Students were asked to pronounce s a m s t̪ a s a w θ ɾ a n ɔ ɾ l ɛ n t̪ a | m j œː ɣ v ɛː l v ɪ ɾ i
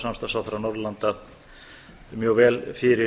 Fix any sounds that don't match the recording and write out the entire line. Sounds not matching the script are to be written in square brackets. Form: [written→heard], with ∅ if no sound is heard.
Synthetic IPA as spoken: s a m s t̪ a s a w θ ɾ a n ɔ ɾ l [ɛ→a] n t̪ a | m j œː ɣ v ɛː l [v→f] ɪ ɾ [i→ɪ]